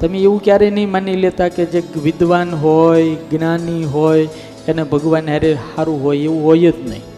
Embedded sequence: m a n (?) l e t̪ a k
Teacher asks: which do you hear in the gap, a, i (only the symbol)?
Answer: i